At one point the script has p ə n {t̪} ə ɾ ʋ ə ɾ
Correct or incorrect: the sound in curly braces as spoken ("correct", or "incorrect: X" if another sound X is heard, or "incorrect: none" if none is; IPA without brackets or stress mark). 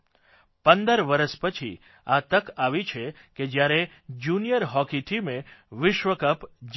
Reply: incorrect: d̪